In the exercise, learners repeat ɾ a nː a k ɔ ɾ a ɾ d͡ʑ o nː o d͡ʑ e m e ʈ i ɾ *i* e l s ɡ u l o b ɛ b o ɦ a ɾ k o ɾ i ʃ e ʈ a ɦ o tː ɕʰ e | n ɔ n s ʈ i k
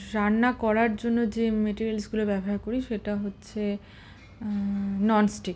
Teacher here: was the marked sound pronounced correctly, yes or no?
yes